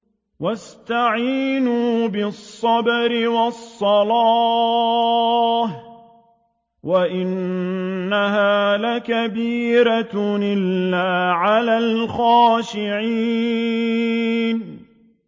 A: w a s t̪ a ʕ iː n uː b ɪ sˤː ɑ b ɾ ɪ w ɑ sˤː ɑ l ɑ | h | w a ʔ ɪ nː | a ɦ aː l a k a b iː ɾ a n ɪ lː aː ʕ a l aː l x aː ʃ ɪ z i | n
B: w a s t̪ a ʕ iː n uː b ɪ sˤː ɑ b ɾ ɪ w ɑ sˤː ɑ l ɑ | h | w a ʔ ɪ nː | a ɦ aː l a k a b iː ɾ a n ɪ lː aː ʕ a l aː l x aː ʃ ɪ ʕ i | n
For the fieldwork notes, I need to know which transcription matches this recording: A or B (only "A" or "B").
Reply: B